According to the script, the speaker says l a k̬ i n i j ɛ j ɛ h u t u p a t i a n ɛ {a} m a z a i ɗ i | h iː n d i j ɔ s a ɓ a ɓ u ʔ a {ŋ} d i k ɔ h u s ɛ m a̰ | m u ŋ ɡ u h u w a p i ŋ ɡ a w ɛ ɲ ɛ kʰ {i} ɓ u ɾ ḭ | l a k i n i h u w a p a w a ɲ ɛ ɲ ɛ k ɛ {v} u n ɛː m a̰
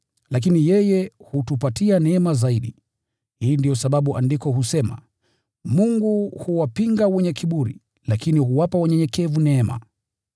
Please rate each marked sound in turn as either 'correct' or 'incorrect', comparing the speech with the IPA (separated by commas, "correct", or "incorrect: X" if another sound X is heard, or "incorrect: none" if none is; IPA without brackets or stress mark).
incorrect: ɛ, incorrect: n, correct, correct